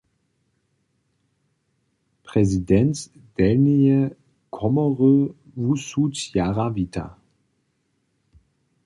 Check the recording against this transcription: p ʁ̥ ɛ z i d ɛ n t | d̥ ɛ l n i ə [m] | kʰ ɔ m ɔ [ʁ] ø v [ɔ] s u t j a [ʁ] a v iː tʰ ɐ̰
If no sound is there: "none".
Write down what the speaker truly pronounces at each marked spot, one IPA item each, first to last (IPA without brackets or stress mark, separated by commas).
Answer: none, ʁ, u, ʁ